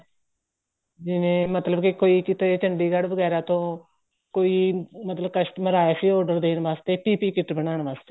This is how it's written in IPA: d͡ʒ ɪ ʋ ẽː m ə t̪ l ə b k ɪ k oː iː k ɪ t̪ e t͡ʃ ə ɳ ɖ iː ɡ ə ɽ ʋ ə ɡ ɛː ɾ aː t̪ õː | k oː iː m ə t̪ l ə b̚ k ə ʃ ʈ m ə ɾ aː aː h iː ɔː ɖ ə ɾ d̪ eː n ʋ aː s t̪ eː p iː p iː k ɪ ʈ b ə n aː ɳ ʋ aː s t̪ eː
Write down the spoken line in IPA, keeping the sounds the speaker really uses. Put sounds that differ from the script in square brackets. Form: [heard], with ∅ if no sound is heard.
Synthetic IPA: d͡ʒ ɪ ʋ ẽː m ə t̪ l ə b k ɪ k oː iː k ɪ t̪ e t͡ʃ ə ɳ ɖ iː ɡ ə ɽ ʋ ə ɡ ɛː ɾ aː t̪ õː | k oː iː m ə t̪ l ə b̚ k ə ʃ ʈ m ə ɾ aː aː [s] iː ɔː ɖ ə ɾ d̪ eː n ʋ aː s t̪ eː p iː p iː k ɪ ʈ b ə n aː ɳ ʋ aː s t̪ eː